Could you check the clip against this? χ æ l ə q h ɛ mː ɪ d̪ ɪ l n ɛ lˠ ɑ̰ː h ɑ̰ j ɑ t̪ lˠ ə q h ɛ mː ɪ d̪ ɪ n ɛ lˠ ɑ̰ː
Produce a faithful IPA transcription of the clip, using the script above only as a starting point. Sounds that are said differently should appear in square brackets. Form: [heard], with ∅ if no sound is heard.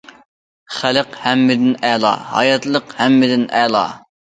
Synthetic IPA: χ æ l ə q h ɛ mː ɪ d̪ ɪ [∅] n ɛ lˠ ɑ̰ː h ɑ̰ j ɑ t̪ lˠ ə q h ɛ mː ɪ d̪ ɪ n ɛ lˠ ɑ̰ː